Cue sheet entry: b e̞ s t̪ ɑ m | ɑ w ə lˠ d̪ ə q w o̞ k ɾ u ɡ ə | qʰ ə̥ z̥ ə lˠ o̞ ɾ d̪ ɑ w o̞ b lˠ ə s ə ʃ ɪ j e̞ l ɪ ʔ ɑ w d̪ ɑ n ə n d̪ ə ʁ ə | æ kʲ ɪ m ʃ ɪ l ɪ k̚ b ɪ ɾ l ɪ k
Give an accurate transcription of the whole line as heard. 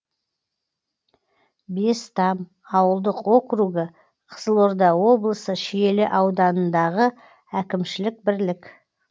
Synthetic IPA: b e̞ s t̪ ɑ m | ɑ w ə lˠ d̪ ə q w o̞ k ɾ u ɡ ə | qʰ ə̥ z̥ ə lˠ o̞ ɾ d̪ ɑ w o̞ b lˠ ə s ə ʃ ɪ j e̞ l ɪ ʔ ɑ w d̪ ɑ n ə n d̪ ɑ ʁ ə | æ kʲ ɪ m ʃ ɪ l ɪ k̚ b ɪ ɾ l ɪ k